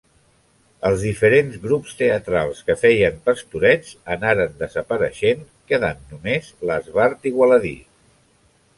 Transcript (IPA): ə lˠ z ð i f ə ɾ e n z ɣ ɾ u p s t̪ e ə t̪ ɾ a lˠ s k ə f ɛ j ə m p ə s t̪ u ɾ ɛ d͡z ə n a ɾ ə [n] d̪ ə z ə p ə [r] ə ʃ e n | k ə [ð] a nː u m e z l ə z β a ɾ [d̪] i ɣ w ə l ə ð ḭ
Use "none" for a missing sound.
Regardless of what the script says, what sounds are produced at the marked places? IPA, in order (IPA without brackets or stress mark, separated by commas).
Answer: n, ɾ, ð, t̪